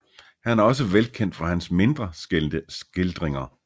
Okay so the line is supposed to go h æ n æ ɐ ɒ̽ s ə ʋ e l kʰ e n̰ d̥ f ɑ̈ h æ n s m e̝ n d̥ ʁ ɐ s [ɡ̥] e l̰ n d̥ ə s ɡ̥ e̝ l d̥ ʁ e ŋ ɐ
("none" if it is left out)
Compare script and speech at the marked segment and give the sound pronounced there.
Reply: ɡ̥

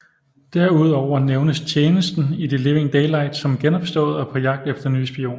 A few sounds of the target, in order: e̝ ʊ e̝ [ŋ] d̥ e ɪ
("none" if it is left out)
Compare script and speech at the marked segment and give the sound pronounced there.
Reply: ŋ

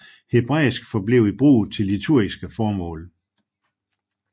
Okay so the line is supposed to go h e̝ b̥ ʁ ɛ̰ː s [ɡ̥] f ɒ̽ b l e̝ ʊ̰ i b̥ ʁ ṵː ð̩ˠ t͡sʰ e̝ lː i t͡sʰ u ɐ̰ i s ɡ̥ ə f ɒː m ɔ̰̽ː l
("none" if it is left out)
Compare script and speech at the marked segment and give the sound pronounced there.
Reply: ɡ̥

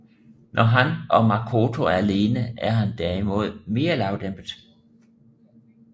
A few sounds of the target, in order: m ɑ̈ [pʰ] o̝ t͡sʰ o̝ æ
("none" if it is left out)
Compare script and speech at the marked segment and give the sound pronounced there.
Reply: kʰ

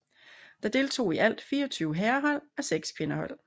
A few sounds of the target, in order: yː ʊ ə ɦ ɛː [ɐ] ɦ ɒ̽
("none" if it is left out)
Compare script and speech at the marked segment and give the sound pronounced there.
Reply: ɐ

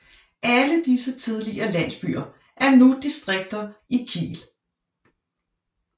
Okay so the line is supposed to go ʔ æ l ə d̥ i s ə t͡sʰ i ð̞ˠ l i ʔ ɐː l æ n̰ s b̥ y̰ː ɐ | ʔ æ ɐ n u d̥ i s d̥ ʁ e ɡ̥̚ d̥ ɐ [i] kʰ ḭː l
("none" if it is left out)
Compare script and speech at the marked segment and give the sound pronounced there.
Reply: i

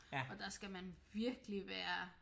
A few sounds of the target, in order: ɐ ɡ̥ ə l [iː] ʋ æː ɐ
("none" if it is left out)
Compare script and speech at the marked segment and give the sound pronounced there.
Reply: i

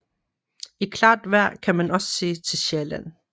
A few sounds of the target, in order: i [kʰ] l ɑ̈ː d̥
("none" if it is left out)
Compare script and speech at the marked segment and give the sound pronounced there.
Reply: kʰ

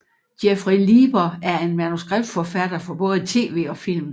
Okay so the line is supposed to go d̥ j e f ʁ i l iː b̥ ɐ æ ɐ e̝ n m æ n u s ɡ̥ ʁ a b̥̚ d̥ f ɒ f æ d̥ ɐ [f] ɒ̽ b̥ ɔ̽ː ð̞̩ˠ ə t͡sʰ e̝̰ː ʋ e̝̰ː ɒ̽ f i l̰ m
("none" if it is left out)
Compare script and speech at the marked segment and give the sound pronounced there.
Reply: f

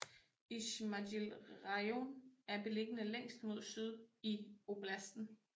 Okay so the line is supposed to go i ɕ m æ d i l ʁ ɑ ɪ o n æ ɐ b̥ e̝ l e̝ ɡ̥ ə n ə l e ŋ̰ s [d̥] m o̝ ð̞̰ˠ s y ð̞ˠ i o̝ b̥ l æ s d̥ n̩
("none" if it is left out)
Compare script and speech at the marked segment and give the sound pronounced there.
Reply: d̥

